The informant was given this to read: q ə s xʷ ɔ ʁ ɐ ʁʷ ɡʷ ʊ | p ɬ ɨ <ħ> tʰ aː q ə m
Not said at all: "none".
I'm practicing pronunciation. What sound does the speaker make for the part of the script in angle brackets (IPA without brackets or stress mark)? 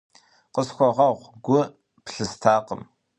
s